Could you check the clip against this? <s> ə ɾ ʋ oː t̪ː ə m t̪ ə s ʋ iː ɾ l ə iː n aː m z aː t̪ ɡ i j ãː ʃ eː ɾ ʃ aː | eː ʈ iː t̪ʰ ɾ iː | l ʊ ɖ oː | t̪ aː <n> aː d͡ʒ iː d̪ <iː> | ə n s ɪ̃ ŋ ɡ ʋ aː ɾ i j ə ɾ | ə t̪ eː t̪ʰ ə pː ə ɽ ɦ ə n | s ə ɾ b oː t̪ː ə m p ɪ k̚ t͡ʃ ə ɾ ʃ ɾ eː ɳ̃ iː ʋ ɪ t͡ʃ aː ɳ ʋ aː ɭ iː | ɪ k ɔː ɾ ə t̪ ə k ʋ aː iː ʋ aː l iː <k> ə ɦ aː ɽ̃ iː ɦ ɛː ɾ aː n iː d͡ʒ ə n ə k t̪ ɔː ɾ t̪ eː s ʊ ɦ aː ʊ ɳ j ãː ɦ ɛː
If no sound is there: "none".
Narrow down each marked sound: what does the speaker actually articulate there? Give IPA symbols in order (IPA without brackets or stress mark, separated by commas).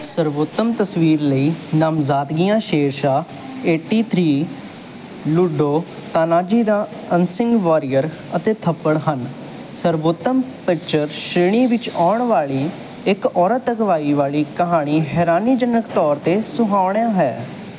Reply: s, n, aː, k